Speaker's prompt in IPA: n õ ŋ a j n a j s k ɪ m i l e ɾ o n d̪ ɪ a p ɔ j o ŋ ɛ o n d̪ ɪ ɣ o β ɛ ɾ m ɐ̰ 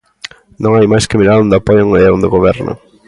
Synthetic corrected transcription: n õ ŋ a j m a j s k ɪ m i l a ɾ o n d̪ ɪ a p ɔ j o ŋ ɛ o n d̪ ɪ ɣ o β ɛ ɾ n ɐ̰